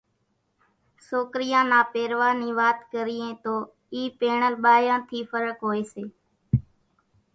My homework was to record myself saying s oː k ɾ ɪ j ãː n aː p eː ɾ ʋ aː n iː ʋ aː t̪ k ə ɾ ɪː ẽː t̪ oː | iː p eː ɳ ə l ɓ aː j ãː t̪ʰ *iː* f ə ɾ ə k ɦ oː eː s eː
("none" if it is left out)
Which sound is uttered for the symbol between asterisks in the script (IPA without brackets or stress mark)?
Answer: iː